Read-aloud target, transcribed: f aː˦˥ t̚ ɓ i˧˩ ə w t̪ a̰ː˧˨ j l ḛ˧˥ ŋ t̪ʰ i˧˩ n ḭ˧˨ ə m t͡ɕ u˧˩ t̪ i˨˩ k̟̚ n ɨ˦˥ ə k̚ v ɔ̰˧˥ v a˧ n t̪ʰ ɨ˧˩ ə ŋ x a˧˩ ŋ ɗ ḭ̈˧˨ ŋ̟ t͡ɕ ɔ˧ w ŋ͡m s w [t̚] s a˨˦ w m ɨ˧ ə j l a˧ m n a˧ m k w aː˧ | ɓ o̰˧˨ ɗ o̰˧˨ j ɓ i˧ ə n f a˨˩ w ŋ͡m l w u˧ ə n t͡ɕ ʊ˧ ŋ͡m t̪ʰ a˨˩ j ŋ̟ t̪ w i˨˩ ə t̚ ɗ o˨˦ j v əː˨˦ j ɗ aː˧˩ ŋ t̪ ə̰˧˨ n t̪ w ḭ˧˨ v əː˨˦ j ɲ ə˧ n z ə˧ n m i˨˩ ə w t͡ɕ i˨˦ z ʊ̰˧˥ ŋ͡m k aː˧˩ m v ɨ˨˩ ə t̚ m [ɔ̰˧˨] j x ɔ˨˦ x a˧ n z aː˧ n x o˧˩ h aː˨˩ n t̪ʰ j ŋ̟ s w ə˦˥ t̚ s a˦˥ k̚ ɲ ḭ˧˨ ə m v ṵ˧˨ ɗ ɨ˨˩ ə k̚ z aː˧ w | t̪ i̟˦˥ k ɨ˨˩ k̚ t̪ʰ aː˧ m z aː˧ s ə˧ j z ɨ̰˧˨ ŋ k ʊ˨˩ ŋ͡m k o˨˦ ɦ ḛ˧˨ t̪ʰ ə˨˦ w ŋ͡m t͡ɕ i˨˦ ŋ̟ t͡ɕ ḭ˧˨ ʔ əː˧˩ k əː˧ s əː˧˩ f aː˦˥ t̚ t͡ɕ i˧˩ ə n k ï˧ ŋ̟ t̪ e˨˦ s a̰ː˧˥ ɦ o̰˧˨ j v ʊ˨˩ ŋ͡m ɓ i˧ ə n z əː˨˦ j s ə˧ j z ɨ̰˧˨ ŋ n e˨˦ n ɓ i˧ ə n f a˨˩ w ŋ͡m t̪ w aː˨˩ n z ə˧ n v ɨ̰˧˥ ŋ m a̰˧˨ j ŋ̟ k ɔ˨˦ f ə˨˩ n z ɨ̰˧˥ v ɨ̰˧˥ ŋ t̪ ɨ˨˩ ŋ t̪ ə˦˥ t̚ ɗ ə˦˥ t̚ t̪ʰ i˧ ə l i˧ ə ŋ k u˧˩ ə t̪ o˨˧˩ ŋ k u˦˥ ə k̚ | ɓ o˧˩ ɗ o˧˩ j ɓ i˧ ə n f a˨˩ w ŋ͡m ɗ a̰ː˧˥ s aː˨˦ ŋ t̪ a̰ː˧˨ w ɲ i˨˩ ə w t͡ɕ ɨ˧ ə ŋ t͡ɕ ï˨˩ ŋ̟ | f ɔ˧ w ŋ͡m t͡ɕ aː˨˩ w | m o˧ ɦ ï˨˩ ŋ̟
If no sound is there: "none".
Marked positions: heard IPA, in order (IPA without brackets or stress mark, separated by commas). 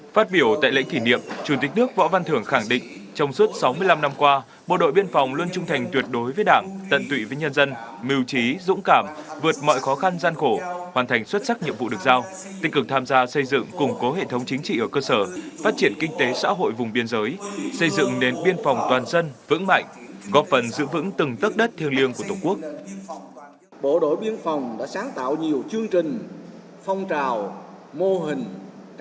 t̚, ɔ̰˧˨